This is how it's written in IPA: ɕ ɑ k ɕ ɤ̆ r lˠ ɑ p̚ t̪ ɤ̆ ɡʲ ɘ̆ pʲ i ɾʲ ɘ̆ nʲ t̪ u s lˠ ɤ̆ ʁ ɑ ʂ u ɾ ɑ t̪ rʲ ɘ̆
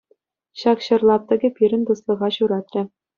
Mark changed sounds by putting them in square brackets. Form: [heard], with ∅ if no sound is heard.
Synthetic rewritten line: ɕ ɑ k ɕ ɤ̆ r lˠ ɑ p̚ t̪ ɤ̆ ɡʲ ɘ̆ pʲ i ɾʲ ɘ̆ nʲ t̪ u s lˠ ɤ̆ ʁ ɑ [ɕ] u ɾ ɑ t̪ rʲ ɘ̆

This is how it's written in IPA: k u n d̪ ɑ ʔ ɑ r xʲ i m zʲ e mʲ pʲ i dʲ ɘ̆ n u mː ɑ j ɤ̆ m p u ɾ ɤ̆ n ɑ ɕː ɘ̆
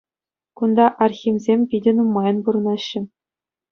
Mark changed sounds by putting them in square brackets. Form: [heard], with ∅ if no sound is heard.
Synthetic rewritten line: k u n d̪ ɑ ʔ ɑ r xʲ i m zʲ e mʲ pʲ i dʲ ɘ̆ n u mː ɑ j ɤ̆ [n] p u ɾ ɤ̆ n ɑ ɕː ɘ̆

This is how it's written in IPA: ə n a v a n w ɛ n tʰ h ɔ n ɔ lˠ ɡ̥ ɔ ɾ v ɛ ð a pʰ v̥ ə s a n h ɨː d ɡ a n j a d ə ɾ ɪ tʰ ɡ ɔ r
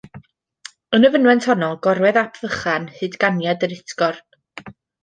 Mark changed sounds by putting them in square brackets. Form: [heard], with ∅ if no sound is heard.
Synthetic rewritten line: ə n [ə] v [ə] n w ɛ n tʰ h ɔ n ɔ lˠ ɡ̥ ɔ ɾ [w] ɛ ð a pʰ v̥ ə [χ] a n h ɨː d ɡ a n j a d ə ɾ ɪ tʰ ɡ ɔ r

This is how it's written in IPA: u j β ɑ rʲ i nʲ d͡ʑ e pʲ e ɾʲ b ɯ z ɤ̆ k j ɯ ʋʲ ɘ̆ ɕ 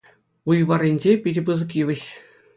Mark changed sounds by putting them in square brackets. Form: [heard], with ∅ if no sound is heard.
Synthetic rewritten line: u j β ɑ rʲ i nʲ d͡ʑ e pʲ [i] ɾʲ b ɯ z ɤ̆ k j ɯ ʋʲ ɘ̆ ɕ

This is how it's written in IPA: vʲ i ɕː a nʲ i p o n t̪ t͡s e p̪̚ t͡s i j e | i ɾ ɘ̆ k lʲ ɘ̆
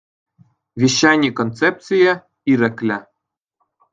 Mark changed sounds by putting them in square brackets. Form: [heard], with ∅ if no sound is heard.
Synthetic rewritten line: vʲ i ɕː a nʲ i [k] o n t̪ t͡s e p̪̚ t͡s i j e | i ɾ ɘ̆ k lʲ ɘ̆

